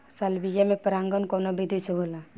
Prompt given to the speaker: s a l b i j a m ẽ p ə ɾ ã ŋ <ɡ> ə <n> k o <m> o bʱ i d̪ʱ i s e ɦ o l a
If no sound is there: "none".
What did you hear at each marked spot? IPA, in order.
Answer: ɡ, n, n

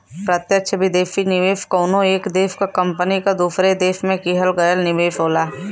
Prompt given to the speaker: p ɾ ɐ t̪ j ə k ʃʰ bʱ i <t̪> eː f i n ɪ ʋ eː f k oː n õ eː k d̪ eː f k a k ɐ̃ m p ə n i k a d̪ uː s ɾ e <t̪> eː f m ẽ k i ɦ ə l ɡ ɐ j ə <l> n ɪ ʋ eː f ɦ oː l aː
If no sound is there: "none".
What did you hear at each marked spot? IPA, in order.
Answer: d̪, d̪, l

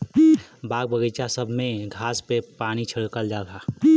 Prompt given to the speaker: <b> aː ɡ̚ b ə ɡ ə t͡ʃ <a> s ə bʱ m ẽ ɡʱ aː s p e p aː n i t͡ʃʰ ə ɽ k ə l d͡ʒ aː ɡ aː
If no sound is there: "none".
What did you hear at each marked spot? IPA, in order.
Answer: b, a

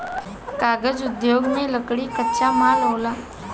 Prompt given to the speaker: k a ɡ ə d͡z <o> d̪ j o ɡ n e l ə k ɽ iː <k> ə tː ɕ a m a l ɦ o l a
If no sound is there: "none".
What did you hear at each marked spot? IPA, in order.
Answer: u, k

